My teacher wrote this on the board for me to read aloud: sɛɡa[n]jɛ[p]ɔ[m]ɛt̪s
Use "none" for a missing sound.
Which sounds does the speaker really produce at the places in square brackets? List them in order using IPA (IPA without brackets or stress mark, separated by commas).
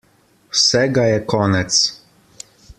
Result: none, k, n